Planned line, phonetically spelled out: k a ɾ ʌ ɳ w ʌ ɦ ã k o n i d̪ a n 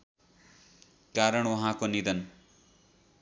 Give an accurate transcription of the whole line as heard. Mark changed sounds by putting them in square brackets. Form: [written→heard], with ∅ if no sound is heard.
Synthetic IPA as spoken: k a ɾ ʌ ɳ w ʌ ɦ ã k o n i d̪ [a→ʌ] n